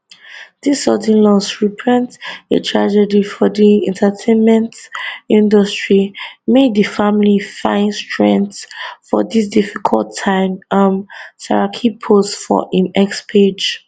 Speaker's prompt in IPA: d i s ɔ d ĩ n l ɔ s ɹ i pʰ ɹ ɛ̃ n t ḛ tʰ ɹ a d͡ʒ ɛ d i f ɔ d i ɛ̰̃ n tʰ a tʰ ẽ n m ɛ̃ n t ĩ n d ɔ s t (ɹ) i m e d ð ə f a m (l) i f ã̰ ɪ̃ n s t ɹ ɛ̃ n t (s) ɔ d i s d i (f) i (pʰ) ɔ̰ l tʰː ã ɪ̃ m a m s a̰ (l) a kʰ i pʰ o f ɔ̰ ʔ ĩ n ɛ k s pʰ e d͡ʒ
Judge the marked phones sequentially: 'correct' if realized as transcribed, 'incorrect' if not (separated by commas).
correct, correct, incorrect, correct, incorrect, incorrect